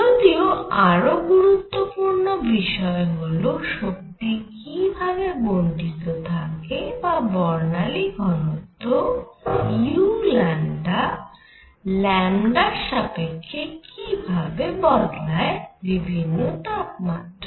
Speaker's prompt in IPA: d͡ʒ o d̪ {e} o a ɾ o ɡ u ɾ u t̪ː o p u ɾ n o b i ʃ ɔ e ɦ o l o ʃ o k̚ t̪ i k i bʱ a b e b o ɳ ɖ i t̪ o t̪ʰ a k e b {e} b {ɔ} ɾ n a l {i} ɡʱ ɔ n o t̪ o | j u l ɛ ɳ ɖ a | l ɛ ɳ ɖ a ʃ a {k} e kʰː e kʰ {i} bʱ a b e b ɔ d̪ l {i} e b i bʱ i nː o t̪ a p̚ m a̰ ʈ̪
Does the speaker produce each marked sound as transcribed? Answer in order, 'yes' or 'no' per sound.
no, no, yes, yes, no, yes, no

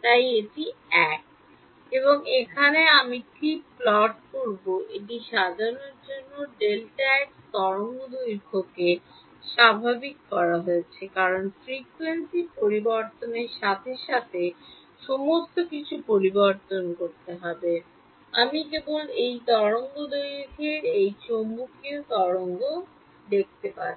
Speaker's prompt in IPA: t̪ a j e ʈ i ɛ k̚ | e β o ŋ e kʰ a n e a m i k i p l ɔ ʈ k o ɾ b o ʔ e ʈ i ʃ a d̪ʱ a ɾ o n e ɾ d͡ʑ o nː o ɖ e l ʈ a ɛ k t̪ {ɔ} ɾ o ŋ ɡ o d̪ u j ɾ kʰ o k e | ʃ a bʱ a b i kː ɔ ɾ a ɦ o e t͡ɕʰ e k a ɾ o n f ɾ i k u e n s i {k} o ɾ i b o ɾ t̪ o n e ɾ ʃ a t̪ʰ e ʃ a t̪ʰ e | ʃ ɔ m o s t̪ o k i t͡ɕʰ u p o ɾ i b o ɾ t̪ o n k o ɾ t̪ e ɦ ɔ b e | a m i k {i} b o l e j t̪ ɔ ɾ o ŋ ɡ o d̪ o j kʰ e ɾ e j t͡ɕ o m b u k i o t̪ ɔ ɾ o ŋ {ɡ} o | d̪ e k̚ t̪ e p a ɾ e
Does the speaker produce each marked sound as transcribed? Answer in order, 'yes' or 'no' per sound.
yes, no, no, yes

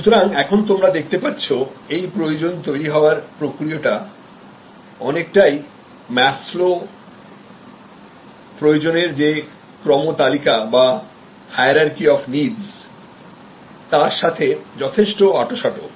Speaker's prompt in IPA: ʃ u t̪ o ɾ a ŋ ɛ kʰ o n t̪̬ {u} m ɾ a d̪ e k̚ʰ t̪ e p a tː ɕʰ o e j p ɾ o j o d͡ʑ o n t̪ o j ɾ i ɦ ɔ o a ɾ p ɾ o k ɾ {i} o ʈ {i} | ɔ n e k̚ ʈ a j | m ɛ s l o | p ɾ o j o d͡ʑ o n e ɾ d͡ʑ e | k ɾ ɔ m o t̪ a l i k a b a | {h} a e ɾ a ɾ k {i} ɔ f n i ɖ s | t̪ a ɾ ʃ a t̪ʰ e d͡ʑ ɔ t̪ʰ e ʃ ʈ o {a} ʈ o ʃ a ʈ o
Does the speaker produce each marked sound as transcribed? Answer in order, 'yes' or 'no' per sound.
no, yes, no, yes, yes, yes

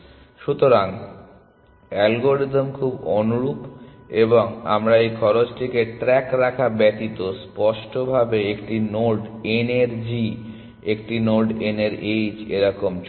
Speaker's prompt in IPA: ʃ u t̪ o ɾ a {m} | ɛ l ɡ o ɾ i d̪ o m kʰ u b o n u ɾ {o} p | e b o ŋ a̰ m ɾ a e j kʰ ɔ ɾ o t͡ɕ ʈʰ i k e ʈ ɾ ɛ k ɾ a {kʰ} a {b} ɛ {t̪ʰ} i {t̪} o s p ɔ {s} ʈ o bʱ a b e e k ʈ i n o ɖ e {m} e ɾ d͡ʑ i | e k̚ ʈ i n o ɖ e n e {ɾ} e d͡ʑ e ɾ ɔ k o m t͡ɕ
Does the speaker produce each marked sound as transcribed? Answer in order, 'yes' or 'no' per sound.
no, no, yes, yes, no, yes, no, no, yes

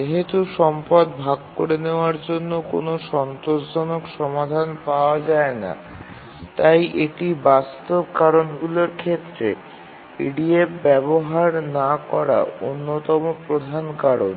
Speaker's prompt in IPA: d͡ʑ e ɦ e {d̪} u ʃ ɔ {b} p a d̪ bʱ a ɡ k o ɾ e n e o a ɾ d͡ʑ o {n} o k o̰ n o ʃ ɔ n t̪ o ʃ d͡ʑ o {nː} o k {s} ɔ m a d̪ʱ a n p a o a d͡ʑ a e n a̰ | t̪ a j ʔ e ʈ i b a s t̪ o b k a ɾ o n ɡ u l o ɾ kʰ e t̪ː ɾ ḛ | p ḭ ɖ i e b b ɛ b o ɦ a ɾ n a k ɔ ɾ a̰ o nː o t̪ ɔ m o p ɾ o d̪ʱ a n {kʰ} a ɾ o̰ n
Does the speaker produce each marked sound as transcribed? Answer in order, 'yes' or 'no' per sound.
no, no, no, no, no, no

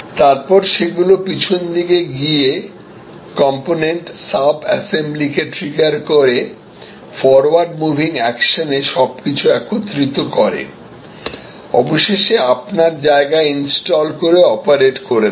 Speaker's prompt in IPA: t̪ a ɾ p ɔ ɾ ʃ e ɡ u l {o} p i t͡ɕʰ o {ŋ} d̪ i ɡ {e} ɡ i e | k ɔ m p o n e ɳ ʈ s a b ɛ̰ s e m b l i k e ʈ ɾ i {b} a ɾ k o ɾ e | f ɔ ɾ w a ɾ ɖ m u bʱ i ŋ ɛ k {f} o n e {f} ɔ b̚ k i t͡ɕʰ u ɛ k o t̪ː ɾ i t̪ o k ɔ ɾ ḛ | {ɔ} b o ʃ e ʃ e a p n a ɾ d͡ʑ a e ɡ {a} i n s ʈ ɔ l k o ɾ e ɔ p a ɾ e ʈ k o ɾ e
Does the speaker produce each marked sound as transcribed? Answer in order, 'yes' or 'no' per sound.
yes, no, yes, no, no, no, yes, yes

